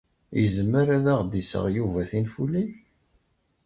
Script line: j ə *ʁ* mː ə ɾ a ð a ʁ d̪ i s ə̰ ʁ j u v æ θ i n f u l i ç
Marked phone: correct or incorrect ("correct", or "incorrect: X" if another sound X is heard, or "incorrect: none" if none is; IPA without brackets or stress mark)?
incorrect: z